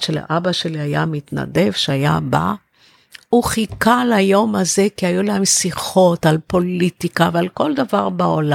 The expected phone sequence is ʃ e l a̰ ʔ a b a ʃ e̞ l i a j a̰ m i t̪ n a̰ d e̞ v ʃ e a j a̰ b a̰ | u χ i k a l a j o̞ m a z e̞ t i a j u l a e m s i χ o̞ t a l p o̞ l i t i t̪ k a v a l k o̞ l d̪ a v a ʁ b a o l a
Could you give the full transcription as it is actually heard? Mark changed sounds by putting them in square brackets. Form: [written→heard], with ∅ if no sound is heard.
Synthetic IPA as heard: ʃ e l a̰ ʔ a b a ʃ e̞ l i a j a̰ m i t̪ n a̰ d e̞ v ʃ e a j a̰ b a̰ | u χ i k a l a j o̞ m a z e̞ [t→k] i a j u l a e m s i χ o̞ t a l p o̞ l i t i [t̪→∅] k a v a l k o̞ l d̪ a v a ʁ b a o l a